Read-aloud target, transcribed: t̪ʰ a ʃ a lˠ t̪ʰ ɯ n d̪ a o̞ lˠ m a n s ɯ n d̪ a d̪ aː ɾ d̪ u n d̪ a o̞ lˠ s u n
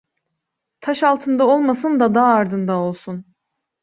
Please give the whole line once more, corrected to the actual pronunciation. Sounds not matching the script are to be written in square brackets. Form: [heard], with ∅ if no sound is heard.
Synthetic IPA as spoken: t̪ʰ a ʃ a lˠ t̪ʰ ɯ n d̪ a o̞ lˠ m a [∅] s ɯ n d̪ a d̪ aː ɾ d̪ [ɯ] n d̪ a o̞ lˠ s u n